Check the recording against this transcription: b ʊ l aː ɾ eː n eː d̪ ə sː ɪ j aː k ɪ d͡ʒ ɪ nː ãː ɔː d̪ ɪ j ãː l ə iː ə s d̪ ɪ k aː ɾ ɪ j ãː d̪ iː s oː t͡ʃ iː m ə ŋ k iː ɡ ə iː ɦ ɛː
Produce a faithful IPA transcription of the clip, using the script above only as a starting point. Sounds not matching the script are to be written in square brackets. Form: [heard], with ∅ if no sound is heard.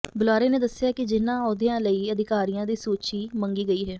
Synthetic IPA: b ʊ l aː ɾ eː n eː d̪ ə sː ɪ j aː k ɪ d͡ʒ ɪ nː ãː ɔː d̪ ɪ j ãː l ə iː ə [∅] d̪ ɪ k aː ɾ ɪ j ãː d̪ iː s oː t͡ʃ iː m ə ŋ [ɡ] iː ɡ ə iː ɦ ɛː